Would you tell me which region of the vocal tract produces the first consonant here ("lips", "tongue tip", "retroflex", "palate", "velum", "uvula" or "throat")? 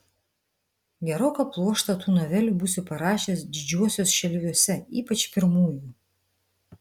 velum